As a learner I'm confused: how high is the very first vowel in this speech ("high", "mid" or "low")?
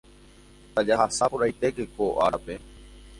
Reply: low